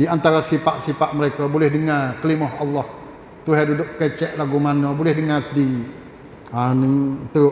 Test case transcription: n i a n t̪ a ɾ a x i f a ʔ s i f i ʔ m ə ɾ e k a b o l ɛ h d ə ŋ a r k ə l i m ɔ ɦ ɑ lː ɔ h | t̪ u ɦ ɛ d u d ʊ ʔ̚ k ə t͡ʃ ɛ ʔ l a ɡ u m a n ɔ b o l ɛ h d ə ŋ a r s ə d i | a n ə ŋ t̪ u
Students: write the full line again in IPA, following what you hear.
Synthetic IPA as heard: d i a n t̪ a ɾ a s i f a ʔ s i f a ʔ m ə ɾ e k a b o l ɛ h d ə ŋ a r k ə l i m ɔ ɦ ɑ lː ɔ h | t̪ u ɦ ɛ d u d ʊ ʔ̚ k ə t͡ʃ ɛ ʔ l a ɡ u m a n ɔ b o l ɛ h d ə ŋ a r s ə d i | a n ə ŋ t̪ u